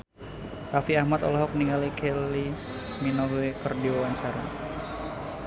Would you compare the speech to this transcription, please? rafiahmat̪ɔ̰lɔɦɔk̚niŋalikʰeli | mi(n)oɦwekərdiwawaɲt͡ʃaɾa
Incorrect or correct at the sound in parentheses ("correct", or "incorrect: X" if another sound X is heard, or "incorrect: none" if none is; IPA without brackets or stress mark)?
correct